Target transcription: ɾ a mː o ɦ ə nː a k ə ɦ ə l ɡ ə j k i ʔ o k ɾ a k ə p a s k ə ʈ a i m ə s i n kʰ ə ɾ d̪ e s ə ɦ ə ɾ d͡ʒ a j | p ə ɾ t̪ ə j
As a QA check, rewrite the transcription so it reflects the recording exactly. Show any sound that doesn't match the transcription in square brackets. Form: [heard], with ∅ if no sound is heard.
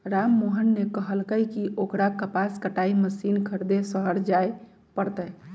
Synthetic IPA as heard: ɾ a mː o ɦ ə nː [e] k ə ɦ ə l [k] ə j k i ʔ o k ɾ a k ə p a s k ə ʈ a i m ə s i n kʰ ə ɾ d̪ e s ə ɦ ə ɾ d͡ʒ a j | p ə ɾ t̪ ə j